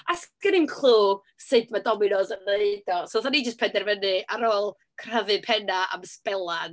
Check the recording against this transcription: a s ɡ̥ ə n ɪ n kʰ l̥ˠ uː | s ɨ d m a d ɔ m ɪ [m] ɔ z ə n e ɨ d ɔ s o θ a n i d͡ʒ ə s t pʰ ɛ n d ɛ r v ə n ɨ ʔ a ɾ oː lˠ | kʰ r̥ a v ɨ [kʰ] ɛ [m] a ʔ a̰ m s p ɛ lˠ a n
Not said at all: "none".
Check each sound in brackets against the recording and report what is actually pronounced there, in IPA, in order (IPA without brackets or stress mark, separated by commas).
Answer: n, pʰ, n